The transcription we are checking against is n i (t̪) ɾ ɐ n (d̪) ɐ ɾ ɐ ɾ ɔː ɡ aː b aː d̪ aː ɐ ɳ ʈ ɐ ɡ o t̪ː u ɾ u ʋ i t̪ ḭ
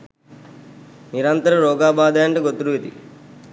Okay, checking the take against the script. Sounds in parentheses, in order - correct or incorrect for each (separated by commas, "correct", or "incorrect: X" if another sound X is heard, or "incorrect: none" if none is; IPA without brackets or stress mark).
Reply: incorrect: none, incorrect: t̪